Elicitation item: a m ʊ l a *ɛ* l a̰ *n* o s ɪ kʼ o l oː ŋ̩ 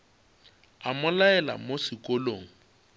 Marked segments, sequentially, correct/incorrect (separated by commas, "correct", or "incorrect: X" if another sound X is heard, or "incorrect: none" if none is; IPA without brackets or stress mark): correct, incorrect: m